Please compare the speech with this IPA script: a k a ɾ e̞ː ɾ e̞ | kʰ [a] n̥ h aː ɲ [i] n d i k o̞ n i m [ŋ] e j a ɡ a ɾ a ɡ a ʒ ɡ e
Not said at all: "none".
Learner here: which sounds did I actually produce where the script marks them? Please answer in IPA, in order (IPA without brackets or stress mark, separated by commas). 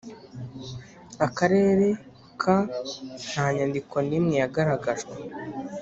a, a, ŋ